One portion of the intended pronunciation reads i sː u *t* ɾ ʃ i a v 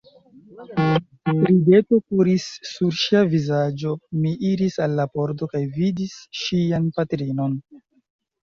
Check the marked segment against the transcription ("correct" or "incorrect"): incorrect